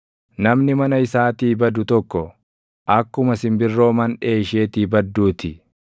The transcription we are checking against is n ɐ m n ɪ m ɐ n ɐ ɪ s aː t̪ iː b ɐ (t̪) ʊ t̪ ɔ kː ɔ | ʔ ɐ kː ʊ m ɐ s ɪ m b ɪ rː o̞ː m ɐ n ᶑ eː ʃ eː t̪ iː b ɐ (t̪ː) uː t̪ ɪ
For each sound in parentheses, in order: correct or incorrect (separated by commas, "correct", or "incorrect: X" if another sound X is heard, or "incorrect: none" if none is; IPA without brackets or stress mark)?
incorrect: d̪, incorrect: d̪ː